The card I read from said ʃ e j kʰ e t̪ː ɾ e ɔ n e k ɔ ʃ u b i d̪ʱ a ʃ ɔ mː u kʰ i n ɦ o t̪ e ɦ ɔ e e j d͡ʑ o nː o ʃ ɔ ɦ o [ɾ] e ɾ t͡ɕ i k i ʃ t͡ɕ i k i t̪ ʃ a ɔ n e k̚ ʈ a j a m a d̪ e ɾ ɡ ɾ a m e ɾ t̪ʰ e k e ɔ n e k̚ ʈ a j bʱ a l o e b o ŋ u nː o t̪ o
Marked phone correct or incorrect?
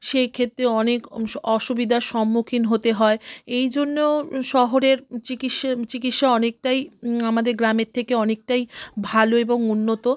correct